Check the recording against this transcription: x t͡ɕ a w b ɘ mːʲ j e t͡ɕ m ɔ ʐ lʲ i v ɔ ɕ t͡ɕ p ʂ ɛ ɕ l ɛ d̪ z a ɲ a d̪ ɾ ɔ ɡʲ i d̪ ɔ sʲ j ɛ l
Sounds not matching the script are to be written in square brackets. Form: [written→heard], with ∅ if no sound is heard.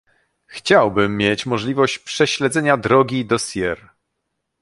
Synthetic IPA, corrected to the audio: x t͡ɕ a w b ɘ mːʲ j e t͡ɕ m ɔ ʐ lʲ i v ɔ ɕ t͡ɕ p ʂ ɛ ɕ l ɛ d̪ z [a→ɛ] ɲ a d̪ ɾ ɔ ɡʲ i d̪ ɔ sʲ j ɛ [l→ɾ]